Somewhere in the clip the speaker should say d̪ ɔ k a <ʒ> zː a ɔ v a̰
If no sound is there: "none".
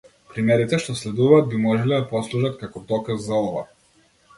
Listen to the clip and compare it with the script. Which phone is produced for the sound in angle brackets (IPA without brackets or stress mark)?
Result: none